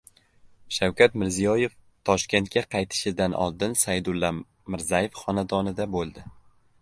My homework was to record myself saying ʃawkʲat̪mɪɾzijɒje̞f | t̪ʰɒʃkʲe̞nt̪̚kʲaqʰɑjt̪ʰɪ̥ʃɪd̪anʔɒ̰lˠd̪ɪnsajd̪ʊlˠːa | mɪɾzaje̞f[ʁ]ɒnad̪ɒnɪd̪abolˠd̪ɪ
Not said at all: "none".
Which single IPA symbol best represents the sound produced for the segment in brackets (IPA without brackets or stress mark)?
χ